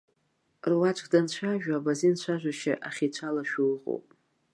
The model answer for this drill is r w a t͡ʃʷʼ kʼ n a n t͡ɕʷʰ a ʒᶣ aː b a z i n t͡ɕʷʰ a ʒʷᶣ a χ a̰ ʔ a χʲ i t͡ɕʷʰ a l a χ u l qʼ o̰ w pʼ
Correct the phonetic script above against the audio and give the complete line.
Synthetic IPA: r w a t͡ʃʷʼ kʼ d a n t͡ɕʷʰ a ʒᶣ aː b a z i n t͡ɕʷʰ a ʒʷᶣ a ʃ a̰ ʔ a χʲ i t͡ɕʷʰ a l a ʃ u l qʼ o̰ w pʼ